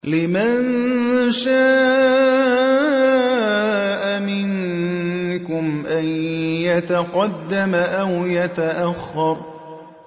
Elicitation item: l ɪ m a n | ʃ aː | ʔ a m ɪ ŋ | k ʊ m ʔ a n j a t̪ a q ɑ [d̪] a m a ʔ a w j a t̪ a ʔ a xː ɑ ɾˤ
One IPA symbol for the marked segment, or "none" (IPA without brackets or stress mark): d̪ː